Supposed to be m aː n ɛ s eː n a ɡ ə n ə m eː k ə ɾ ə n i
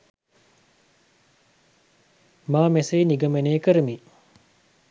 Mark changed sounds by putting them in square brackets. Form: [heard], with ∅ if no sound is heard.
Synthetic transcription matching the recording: m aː [m] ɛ s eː n [i] ɡ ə [m] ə [n] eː k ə ɾ ə [m] i